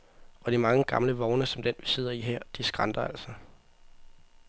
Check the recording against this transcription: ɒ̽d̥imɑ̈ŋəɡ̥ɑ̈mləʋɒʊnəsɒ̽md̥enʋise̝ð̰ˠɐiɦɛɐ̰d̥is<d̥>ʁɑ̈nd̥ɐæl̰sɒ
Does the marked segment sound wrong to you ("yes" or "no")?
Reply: yes